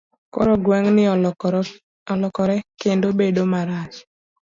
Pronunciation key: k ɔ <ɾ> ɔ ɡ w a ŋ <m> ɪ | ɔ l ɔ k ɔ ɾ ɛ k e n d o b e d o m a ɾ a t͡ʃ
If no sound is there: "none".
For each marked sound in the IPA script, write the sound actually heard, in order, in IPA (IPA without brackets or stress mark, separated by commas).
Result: ɾ, n